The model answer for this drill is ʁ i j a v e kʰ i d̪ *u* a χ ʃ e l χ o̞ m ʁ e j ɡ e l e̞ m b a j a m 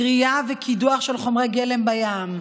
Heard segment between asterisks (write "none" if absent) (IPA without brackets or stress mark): u